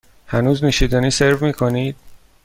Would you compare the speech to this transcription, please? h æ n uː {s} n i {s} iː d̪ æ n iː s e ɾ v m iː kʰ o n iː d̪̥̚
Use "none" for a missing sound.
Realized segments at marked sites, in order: z, ʃ

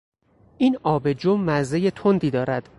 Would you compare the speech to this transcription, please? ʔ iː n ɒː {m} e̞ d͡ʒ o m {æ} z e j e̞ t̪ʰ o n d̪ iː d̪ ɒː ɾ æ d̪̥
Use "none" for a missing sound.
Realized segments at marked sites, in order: b, æ

